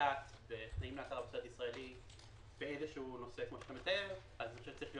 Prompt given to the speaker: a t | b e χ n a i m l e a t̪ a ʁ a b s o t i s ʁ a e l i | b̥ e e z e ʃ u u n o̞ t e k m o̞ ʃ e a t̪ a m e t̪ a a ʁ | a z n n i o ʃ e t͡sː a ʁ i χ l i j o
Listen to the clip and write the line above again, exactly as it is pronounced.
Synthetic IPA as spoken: a t | b e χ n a i m l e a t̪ a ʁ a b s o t i s ʁ a e l i | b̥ e e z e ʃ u u n o̞ s e k m o̞ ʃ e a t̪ a m e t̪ a e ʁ | a z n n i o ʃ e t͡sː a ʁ i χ l i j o